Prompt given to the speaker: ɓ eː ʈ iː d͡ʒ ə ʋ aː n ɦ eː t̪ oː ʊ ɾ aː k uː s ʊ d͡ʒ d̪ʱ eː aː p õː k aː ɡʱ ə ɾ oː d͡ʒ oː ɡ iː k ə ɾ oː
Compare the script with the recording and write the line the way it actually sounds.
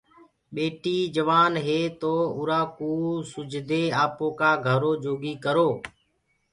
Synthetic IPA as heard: ɓ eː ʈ iː d͡ʒ ə ʋ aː n ɦ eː t̪ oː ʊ ɾ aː k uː s ʊ d͡ʒ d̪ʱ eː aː p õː k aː ɡʱ ə ɾ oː d͡ʒ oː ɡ iː k ə ɾ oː